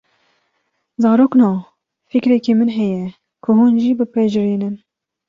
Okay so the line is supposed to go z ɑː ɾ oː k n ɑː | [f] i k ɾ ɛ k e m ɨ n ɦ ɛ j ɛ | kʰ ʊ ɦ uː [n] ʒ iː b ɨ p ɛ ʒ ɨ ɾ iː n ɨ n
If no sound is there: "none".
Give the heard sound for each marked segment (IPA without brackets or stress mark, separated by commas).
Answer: f, n